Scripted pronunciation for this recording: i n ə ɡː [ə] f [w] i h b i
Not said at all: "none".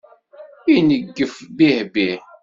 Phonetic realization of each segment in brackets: ə, b

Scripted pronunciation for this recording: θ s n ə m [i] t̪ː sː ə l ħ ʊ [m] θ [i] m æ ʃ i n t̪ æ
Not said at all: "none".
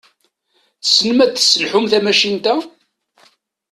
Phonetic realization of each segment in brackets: æ, m, æ

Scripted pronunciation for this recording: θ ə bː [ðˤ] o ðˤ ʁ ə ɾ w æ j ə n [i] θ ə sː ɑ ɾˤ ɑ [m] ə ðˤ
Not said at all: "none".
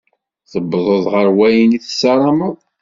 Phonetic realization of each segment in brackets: ðˤ, i, m

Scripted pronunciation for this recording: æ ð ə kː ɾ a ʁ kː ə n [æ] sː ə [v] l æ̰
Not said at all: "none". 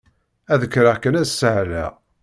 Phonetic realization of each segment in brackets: æ, ʕ

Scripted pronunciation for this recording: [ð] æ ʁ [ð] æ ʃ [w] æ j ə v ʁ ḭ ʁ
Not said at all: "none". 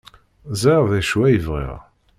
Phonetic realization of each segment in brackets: z, ð, w

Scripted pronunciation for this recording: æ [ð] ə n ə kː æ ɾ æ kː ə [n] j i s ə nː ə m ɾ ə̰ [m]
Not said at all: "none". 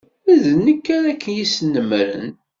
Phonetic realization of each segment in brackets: ð, n, n

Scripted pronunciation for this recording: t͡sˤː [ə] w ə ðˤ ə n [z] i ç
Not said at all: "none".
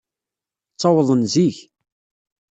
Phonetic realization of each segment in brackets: ɑ, z

